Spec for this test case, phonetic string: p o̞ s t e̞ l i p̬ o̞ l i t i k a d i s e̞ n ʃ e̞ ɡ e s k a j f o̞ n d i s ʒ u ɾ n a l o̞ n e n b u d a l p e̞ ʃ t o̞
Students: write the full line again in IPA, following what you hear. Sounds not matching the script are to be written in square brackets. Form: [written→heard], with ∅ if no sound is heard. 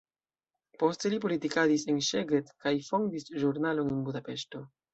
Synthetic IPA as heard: p o̞ s t e̞ l i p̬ o̞ l i t i k a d i s e̞ n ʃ e̞ ɡ e [s→t] k a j f o̞ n d i s ʒ u ɾ n a l o̞ n e n b u d a [l→∅] p e̞ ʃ t o̞